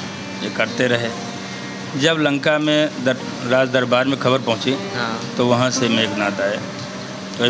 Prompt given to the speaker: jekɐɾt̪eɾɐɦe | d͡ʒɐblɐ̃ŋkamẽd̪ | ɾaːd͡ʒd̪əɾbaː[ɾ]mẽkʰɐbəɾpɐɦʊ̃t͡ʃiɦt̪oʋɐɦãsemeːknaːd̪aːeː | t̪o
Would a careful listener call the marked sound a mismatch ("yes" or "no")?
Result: no